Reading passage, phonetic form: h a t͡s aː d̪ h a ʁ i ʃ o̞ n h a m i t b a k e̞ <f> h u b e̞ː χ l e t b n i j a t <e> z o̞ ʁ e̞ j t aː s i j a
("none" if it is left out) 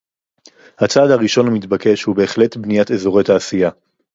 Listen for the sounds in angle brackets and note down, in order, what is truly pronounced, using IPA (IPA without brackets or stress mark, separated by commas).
ʃ, e